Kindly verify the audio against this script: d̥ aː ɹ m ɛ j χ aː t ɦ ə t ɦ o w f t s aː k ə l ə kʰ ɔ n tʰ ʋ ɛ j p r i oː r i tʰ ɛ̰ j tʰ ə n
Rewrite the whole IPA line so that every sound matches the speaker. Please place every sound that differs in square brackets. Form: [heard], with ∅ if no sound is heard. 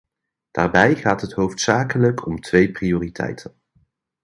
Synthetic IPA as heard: d̥ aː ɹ [b] ɛ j χ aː t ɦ ə t ɦ o w f t s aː k ə l ə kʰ ɔ [m] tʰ ʋ [e] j p r i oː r i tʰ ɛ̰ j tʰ ə n